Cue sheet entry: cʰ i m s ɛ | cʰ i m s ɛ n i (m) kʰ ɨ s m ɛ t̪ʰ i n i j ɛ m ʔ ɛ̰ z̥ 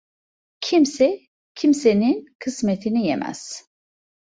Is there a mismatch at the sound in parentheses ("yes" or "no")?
yes